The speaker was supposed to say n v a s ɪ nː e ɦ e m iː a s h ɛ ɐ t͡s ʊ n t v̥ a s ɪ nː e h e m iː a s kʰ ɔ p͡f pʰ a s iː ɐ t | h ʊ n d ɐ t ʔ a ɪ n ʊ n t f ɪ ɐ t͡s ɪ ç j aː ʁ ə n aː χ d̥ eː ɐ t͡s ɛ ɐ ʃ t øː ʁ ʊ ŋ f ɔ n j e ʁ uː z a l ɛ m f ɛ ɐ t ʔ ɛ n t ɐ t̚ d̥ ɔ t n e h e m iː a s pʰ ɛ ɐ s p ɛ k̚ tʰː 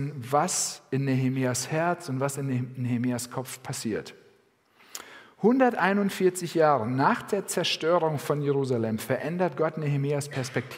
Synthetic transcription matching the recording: n v a s ɪ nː e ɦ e m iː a s h ɛ ɐ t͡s ʊ n t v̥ a s ɪ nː e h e m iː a s kʰ ɔ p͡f pʰ a s iː ɐ t | h ʊ n d ɐ t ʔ a ɪ n ʊ n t f ɪ ɐ t͡s ɪ ç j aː ʁ ə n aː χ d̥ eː ɐ t͡s ɛ ɐ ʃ t øː ʁ ʊ ŋ f ɔ n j e ʁ uː z a l ɛ m f ɛ ɐ ʔ ɛ n d ɐ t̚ ɡ̥ ɔ t n e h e m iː a s pʰ ɛ ɐ s p ɛ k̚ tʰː